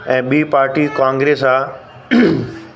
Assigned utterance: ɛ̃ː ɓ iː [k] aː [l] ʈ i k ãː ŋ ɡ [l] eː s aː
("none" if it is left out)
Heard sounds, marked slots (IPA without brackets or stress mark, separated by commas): p, ɾ, ɾ